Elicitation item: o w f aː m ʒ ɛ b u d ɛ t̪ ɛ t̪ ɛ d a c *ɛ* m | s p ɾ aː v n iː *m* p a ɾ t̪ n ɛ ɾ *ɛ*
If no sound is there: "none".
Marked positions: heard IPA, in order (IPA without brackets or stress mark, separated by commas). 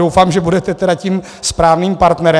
i, m, ɛ